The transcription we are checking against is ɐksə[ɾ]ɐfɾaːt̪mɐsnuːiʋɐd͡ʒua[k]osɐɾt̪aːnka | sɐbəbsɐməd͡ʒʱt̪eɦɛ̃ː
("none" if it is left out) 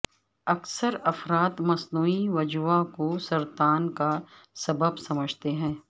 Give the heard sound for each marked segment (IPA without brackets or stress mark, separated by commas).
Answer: ɾ, k